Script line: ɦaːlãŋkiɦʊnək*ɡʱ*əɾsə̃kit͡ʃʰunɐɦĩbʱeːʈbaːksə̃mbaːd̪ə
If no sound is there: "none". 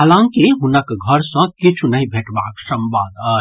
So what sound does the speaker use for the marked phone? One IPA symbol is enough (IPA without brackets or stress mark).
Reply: ɡʱ